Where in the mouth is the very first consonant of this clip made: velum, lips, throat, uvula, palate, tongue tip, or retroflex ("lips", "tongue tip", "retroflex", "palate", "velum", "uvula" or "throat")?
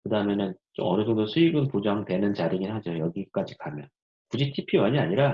velum